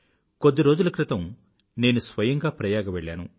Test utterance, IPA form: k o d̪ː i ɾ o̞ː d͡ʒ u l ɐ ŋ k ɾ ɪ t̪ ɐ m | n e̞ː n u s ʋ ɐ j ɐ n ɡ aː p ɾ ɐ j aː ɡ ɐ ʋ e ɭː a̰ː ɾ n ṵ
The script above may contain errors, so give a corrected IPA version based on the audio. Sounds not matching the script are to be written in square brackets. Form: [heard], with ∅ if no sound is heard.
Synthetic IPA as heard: k o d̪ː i ɾ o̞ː d͡ʒ u l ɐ [∅] k ɾ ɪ t̪ ɐ m | n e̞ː n u s ʋ ɐ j ɐ [ŋ] ɡ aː p ɾ ɐ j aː ɡ ɐ ʋ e ɭː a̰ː [∅] n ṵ